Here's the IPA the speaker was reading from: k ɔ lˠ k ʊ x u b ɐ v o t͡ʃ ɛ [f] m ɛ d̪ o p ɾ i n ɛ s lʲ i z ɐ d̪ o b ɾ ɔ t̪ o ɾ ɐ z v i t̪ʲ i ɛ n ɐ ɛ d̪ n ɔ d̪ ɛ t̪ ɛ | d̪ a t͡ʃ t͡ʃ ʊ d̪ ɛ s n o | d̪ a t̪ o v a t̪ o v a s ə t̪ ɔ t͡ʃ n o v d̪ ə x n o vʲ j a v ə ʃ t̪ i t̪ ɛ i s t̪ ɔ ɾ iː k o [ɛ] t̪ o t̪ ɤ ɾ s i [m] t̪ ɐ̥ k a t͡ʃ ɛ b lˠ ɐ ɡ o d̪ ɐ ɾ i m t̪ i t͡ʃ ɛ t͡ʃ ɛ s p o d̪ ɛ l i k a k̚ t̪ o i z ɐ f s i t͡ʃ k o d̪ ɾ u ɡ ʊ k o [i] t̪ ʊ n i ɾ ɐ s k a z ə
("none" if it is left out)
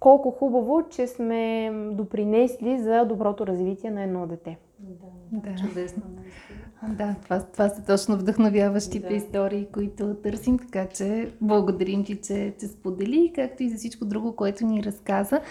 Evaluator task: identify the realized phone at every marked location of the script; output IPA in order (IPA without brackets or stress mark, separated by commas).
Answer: s, i, m, ɛ